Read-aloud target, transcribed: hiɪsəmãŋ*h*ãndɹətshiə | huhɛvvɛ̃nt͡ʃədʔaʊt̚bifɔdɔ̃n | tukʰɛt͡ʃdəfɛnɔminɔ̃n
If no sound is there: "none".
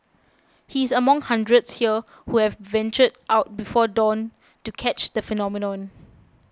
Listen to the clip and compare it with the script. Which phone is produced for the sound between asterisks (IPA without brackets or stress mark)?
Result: h